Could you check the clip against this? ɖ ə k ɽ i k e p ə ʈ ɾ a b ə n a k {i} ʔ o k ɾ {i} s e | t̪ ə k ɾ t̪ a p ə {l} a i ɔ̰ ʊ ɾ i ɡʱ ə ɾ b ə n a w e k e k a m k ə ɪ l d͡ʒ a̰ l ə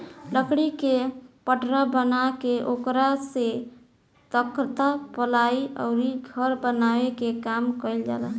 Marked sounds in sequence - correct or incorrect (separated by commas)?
incorrect, incorrect, correct